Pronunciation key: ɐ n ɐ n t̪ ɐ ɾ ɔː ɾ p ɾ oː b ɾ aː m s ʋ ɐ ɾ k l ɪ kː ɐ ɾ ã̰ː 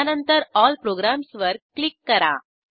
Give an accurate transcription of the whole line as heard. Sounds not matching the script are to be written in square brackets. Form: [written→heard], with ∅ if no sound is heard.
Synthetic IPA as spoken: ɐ n ɐ n t̪ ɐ ɾ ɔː [ɾ→l] p ɾ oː [b→ɡ] ɾ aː m s ʋ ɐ ɾ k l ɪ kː ɐ ɾ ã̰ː

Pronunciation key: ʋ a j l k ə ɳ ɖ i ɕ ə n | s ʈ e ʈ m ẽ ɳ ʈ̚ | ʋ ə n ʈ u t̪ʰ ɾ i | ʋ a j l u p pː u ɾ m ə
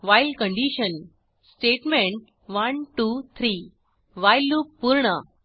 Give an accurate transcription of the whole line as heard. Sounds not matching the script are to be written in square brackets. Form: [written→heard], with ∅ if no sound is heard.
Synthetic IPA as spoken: ʋ a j l k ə ɳ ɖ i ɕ ə n | s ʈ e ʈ m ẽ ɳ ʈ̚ | ʋ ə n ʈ u t̪ʰ ɾ i | ʋ a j l u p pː u ɾ [m→ɳ] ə

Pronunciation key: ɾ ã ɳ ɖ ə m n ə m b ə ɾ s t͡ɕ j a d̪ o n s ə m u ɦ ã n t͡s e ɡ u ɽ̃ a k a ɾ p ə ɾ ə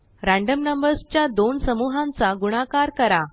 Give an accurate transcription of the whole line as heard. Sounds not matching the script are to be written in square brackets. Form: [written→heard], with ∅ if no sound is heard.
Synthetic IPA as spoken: ɾ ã ɳ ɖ ə m n ə m b ə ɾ s t͡ɕ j a d̪ o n s ə m u ɦ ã n t͡s [e→a] ɡ u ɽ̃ a k a ɾ [p→k] ə ɾ [ə→a]

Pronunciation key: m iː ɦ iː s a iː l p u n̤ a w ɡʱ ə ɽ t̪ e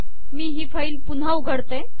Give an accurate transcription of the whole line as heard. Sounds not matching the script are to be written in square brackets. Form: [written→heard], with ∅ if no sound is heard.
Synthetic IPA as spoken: m iː ɦ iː [s→f] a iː l p u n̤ a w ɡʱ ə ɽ t̪ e

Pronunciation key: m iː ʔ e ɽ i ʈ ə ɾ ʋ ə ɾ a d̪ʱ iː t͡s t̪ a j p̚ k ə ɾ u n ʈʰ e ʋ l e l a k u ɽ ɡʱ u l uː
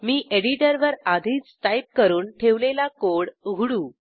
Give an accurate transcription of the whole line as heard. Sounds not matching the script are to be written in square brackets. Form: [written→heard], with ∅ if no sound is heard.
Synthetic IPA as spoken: m iː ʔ e ɽ i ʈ ə ɾ ʋ ə ɾ a d̪ʱ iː t͡s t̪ a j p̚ k ə ɾ [u→uː] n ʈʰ e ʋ l e l a k [u→o] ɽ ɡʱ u [l→ɽ] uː

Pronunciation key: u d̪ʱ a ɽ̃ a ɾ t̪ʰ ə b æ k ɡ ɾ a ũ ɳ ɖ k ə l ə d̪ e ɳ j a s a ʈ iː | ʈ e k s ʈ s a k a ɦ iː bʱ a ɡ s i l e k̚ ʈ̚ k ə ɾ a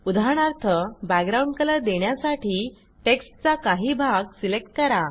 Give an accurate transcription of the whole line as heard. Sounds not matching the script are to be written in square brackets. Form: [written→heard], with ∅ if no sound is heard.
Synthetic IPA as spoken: u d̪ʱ a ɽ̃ a ɾ t̪ʰ ə b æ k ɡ ɾ a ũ ɳ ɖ k ə l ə d̪ e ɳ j a s a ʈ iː | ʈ e k s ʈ [s→t͡s] a k a ɦ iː bʱ a ɡ s i l e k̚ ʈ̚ k ə ɾ a

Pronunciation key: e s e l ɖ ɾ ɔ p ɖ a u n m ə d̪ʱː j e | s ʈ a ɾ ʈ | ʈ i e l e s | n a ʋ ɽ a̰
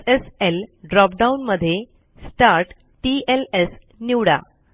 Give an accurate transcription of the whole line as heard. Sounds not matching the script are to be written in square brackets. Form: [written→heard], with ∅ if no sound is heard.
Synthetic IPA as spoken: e s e l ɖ ɾ ɔ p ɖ a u n m ə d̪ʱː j e | s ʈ a ɾ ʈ | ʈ i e l e s | n [a→i] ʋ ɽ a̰

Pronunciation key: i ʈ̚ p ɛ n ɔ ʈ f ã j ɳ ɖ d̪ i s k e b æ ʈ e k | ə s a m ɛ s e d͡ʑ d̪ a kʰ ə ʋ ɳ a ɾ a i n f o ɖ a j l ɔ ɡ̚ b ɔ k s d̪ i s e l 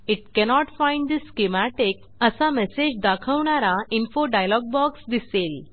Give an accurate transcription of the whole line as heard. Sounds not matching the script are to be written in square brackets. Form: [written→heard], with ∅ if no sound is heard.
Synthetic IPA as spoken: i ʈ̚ [p→k] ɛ n ɔ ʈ f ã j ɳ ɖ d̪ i s k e [b→m] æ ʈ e k | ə s a m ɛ s e d͡ʑ d̪ a kʰ ə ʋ ɳ a ɾ a i n f o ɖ a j l ɔ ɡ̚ b ɔ k s d̪ i s e l

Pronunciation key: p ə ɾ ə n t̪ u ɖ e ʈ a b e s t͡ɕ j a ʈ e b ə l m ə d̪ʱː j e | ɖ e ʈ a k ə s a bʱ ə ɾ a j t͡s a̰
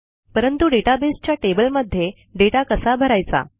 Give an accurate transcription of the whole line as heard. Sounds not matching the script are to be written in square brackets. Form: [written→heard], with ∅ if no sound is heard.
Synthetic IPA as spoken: p ə ɾ ə n t̪ u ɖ e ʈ a b e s t͡ɕ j a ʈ e b ə l m ə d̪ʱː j e | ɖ e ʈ a k ə s a bʱ ə ɾ a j t͡s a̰

